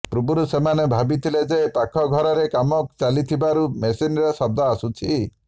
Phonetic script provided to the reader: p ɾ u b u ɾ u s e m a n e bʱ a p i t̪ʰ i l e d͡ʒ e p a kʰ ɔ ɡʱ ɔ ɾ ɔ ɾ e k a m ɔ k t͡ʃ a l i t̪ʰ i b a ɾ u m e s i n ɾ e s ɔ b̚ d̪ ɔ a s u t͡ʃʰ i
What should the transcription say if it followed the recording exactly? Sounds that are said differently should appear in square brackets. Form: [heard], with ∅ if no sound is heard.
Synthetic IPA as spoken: p ɾ u b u ɾ u s e m a n e bʱ a [b] i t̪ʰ i l e d͡ʒ e p a kʰ ɔ ɡʱ ɔ ɾ ɔ ɾ e k a m ɔ k t͡ʃ a l i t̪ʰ i b a ɾ u m e s i n ɾ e s ɔ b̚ d̪ ɔ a s u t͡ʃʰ i

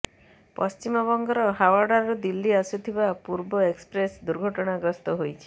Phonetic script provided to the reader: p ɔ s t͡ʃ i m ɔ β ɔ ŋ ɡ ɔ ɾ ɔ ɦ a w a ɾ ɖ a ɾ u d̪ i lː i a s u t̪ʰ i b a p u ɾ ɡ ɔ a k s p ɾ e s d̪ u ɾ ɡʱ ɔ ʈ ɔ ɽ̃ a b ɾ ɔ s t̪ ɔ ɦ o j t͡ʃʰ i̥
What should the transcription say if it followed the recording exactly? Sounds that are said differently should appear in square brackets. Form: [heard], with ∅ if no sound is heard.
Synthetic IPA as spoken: p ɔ s t͡ʃ i m ɔ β ɔ ŋ ɡ ɔ ɾ ɔ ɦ a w a ɾ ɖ a ɾ u d̪ i lː i a s u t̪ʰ i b a p u ɾ [b] ɔ [e] k s p ɾ e s d̪ u ɾ ɡʱ ɔ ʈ ɔ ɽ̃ a [ɡ] ɾ ɔ s t̪ ɔ ɦ o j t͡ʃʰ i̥

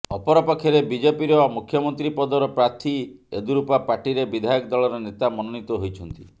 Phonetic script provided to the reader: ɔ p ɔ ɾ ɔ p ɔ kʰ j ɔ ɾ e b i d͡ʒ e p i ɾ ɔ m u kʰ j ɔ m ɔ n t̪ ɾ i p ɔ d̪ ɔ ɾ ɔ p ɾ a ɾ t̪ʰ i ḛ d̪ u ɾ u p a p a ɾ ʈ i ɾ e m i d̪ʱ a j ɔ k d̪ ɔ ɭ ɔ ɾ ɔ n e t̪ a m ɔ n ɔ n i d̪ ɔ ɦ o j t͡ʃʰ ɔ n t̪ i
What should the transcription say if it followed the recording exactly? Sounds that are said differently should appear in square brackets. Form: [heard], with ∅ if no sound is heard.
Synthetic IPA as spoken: ɔ p ɔ ɾ ɔ p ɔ kʰ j ɔ ɾ e b i d͡ʒ e p i ɾ ɔ m u kʰ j ɔ m ɔ n t̪ ɾ i p ɔ d̪ ɔ ɾ ɔ p ɾ a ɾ t̪ʰ i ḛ d̪ u ɾ u p a p a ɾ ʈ i ɾ e [b] i d̪ʱ a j ɔ k d̪ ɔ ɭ ɔ ɾ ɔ n e t̪ a m ɔ n ɔ n i [t̪] ɔ ɦ o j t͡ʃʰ ɔ n t̪ i

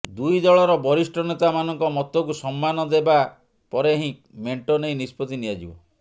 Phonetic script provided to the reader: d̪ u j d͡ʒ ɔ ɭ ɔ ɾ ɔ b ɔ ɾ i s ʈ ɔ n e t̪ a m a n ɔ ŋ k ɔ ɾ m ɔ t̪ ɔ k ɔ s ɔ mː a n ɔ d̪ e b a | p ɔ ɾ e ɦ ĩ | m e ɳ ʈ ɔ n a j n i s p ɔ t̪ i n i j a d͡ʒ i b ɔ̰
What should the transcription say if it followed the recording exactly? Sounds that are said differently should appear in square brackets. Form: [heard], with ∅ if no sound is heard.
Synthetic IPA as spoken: d̪ u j d͡ʒ ɔ ɭ ɔ ɾ ɔ b ɔ ɾ i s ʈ ɔ n e t̪ a m a n ɔ ŋ k ɔ [∅] m ɔ t̪ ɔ k [u] s ɔ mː a n ɔ d̪ e b a | p ɔ ɾ e ɦ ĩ | m e ɳ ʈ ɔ n [e] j n i s p ɔ t̪ i n i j a d͡ʒ i b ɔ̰

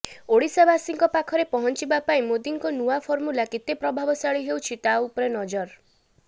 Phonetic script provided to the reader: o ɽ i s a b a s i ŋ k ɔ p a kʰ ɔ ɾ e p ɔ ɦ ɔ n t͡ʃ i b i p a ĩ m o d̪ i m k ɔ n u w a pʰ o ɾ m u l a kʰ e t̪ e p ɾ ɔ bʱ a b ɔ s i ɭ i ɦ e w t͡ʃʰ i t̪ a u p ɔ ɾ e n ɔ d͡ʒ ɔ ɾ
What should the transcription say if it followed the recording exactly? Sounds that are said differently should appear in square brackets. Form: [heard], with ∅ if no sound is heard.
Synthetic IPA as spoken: o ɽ i s a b a s i ŋ k ɔ p a kʰ ɔ ɾ e p ɔ ɦ ɔ n t͡ʃ i b [a] p a ĩ m o d̪ i [ŋ] k ɔ n u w a pʰ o ɾ m u l a [k] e t̪ e p ɾ ɔ bʱ a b ɔ s [a] ɭ i ɦ e w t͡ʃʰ i t̪ a u p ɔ ɾ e n ɔ d͡ʒ ɔ ɾ

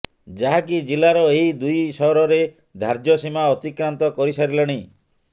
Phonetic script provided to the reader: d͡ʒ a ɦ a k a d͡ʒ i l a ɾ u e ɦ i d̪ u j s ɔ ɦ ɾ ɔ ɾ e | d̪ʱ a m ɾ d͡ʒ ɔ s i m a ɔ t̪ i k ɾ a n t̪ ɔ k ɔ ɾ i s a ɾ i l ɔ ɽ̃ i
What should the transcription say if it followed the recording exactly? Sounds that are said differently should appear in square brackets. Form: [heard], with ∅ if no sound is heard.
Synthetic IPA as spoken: d͡ʒ a ɦ a k [i] d͡ʒ i l a ɾ [ɔ] e ɦ i d̪ u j s ɔ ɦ ɾ ɔ ɾ e | d̪ʱ a [∅] ɾ d͡ʒ ɔ s i m a ɔ t̪ i k ɾ a n t̪ ɔ k ɔ ɾ i s a ɾ i l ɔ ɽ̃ i

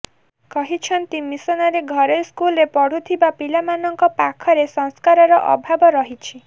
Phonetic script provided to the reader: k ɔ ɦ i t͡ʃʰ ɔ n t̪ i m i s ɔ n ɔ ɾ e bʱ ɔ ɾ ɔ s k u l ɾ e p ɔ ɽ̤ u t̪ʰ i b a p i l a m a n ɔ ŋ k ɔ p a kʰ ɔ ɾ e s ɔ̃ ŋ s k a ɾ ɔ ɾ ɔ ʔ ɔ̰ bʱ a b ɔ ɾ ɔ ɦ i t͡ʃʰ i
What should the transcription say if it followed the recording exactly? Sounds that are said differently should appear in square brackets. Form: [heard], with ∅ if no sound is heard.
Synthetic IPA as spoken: k ɔ ɦ i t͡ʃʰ ɔ n t̪ i m i s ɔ n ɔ ɾ e [ɡʱ] ɔ ɾ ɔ s k u l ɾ e p ɔ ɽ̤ u t̪ʰ i b a p i l a m a n ɔ ŋ k ɔ p a kʰ ɔ ɾ e s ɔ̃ ŋ s k a ɾ ɔ ɾ ɔ ʔ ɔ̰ bʱ a b ɔ ɾ ɔ ɦ i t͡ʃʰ i

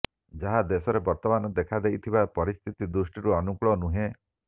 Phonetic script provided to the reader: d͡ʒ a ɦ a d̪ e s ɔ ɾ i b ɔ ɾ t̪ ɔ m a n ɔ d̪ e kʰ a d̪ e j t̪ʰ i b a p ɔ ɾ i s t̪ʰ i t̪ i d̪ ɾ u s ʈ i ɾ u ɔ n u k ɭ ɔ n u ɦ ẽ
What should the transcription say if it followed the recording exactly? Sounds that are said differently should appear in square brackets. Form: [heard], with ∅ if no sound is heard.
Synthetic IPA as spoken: d͡ʒ a ɦ a d̪ e s ɔ ɾ [e] b ɔ ɾ t̪ ɔ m a n ɔ d̪ e kʰ a d̪ e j t̪ʰ i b a p ɔ ɾ i s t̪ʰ i t̪ i d̪ ɾ u s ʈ i ɾ u ɔ n u k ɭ ɔ n u ɦ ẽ

